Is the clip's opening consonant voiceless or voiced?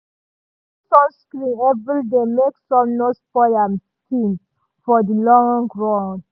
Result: voiceless